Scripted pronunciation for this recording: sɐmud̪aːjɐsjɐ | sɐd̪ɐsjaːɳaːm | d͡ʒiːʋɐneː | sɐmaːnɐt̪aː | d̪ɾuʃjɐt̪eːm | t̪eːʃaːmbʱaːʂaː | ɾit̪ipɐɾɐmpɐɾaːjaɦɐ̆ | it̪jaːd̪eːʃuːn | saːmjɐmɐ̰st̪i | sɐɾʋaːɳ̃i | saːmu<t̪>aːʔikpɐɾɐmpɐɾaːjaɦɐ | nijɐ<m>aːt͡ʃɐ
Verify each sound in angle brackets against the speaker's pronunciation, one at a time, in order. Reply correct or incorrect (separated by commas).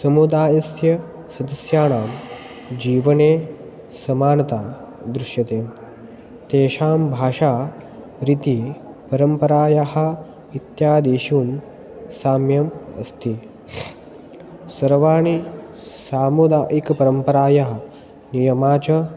incorrect, correct